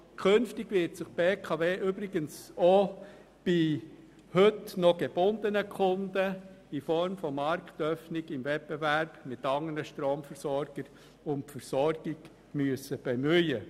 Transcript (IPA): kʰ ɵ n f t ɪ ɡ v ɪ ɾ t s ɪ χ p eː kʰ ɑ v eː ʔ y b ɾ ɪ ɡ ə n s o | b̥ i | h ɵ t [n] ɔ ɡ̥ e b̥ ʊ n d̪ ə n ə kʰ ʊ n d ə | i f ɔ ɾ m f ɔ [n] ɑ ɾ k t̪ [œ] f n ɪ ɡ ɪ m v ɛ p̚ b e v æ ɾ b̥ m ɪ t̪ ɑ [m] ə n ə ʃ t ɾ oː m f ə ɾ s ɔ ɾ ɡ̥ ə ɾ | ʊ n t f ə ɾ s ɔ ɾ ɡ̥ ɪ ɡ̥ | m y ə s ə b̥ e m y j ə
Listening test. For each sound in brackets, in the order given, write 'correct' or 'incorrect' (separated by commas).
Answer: correct, incorrect, correct, incorrect